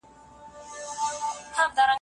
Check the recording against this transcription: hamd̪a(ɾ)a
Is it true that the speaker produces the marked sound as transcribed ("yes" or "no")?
yes